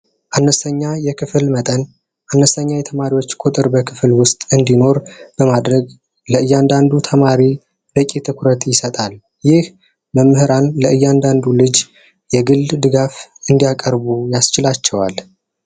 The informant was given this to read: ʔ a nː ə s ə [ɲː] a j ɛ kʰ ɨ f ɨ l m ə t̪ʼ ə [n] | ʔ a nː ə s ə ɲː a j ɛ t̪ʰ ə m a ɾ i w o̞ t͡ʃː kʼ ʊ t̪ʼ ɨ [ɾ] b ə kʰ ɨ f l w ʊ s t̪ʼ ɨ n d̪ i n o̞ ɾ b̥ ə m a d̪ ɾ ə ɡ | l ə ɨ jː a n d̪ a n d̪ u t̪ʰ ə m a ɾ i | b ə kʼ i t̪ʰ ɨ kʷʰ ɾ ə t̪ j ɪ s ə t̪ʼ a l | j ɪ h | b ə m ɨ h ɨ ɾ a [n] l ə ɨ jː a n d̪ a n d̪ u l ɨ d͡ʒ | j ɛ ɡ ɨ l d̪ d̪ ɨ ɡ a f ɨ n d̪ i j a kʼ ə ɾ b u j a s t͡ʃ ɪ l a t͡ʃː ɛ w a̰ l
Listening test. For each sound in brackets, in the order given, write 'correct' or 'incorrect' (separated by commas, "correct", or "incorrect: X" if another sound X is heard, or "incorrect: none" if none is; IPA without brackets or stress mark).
correct, correct, correct, correct